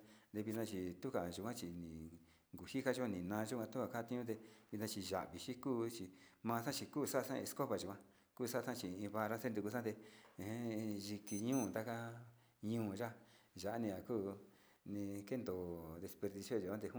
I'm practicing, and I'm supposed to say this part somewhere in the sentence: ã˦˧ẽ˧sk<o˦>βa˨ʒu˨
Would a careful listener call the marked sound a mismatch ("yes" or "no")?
no